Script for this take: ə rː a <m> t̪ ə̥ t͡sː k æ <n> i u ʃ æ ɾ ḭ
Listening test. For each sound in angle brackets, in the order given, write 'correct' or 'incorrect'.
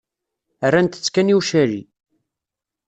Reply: incorrect, correct

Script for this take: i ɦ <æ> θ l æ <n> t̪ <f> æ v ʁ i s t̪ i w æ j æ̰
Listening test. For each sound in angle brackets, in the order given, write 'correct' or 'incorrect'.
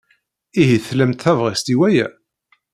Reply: incorrect, incorrect, incorrect

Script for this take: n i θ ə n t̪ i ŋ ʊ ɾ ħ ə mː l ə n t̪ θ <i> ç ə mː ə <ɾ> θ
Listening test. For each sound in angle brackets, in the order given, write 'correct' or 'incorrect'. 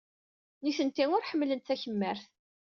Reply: incorrect, correct

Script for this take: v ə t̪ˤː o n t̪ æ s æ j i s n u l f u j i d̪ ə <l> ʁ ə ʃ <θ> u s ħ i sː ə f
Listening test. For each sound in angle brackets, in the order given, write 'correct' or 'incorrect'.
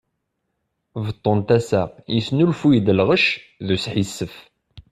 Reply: correct, incorrect

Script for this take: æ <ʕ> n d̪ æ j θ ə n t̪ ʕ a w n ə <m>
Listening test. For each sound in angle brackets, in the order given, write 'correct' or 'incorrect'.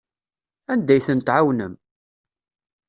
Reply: incorrect, correct

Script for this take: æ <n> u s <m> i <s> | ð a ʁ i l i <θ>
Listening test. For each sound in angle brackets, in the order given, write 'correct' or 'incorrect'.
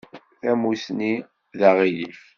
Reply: incorrect, incorrect, incorrect, incorrect

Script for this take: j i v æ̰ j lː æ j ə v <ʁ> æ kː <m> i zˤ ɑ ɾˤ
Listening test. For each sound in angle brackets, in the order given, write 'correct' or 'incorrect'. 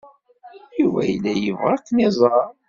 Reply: correct, incorrect

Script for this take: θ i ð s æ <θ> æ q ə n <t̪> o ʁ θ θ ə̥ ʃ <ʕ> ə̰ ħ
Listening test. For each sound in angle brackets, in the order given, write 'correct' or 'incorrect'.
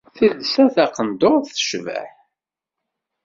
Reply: correct, incorrect, incorrect

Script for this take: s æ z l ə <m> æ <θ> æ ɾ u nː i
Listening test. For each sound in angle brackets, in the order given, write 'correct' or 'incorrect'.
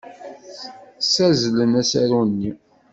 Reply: incorrect, incorrect

